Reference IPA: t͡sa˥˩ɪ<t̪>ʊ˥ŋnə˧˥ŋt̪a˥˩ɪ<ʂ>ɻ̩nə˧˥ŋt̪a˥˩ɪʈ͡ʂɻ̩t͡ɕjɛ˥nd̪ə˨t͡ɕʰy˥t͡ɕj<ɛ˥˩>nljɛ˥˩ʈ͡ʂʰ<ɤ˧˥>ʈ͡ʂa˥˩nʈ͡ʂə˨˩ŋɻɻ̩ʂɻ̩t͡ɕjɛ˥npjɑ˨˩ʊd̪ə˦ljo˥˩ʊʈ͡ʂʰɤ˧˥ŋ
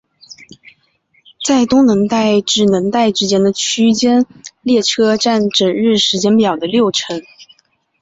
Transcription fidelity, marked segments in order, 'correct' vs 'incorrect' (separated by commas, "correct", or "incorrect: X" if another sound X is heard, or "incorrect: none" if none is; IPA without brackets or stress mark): correct, incorrect: ʈ͡ʂ, incorrect: ɛ˥, incorrect: ɤ˥